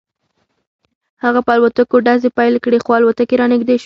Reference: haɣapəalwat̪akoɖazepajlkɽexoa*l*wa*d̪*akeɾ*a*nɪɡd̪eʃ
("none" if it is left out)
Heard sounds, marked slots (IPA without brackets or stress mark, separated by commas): l, t̪, ɑ